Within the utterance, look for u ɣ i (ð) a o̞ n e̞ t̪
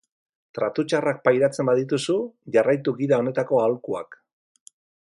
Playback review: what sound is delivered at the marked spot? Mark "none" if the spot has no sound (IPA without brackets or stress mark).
ð